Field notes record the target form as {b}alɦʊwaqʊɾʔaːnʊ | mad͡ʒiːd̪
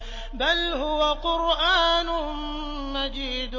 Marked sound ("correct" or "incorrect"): correct